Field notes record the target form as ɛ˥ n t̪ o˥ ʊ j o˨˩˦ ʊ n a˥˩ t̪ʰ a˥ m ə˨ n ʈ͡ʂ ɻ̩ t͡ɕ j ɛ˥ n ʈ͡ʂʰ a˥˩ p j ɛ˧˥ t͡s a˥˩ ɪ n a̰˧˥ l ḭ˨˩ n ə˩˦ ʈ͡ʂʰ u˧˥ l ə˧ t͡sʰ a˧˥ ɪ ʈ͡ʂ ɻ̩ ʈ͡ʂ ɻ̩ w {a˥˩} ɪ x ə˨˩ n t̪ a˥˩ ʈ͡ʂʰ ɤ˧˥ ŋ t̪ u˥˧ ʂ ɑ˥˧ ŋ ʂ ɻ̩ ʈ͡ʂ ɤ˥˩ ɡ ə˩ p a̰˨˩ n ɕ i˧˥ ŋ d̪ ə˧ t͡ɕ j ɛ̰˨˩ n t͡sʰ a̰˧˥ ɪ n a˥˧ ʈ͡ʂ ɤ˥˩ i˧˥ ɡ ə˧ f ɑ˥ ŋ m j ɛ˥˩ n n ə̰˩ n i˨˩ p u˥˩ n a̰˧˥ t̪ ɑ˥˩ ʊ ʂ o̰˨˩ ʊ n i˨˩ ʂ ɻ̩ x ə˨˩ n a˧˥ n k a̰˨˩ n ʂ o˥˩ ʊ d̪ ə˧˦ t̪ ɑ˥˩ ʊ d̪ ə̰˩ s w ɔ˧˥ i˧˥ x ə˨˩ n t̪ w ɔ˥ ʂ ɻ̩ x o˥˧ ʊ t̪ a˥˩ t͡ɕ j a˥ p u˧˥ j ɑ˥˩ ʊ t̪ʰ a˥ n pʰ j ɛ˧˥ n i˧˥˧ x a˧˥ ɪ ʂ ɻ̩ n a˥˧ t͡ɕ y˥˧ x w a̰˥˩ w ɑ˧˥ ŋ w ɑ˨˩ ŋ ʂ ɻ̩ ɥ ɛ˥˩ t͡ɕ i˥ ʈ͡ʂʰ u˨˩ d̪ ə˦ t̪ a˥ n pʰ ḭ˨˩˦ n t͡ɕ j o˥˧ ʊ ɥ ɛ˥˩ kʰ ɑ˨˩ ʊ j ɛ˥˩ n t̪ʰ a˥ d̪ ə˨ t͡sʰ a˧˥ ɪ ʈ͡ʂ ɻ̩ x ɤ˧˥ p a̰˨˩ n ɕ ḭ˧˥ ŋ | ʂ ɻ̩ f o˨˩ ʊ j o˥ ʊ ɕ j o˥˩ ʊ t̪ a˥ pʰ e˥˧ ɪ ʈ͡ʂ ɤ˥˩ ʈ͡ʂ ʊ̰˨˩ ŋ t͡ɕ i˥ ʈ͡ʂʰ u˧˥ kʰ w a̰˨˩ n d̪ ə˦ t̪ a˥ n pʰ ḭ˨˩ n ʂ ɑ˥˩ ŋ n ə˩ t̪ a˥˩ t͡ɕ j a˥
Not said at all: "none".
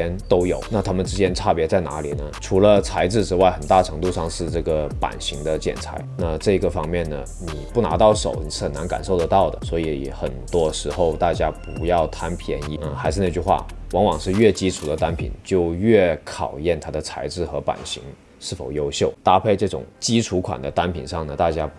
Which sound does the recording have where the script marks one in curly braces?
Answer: a˥˩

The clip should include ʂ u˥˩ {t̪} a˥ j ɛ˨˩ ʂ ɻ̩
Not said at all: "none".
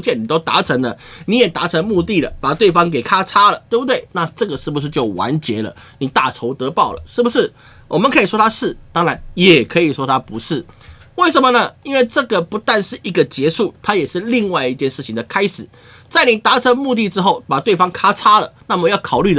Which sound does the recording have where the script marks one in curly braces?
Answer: t̪ʰ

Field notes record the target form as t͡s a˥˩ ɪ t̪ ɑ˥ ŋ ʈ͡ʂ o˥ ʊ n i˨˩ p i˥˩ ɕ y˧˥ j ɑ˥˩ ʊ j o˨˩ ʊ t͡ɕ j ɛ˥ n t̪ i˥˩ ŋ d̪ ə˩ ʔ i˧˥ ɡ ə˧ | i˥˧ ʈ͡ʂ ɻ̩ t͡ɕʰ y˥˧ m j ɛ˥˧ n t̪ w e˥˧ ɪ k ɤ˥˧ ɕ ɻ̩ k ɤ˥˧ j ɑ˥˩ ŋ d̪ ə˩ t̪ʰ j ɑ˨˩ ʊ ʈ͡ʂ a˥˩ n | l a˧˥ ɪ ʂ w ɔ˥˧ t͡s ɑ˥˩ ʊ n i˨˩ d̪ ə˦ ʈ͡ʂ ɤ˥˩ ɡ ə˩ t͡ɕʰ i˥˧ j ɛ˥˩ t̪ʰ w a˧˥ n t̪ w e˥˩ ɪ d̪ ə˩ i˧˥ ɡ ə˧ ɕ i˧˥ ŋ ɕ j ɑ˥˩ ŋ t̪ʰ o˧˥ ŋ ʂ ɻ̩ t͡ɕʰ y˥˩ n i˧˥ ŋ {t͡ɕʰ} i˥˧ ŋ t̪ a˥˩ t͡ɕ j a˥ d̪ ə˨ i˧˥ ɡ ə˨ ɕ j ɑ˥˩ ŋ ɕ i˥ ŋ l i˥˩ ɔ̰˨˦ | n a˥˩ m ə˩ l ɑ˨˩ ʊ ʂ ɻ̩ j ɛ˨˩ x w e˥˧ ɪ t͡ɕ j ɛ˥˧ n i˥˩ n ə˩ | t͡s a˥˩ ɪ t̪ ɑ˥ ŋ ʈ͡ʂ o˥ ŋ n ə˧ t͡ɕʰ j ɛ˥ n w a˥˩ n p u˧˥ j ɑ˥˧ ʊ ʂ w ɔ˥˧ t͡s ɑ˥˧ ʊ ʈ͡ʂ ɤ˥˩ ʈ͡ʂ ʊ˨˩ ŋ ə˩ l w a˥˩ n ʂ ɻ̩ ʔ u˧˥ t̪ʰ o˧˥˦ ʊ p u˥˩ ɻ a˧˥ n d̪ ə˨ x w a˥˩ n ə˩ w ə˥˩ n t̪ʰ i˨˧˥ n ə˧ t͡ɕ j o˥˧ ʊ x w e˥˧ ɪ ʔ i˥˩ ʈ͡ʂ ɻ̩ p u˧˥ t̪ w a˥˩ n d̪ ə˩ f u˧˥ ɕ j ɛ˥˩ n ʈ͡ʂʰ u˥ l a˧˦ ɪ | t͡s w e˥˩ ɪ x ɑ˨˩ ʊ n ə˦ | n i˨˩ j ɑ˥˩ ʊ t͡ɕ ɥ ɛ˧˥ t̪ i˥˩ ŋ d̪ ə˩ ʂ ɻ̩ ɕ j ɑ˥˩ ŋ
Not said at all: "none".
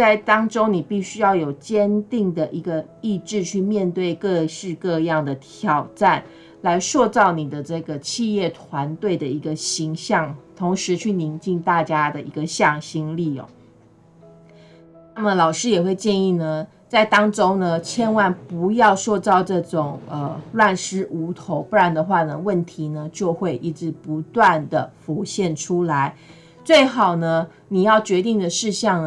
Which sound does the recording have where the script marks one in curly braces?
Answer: t͡ɕ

